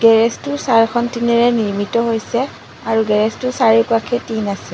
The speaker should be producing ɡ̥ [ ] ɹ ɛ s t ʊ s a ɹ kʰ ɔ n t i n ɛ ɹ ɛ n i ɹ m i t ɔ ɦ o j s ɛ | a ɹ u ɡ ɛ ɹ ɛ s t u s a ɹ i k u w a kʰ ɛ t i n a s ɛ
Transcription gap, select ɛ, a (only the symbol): ɛ